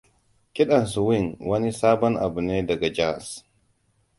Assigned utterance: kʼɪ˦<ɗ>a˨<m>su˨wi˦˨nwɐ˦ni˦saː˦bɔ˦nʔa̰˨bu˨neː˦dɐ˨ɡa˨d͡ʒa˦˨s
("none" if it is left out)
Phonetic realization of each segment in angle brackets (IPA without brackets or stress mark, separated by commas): ɗ, n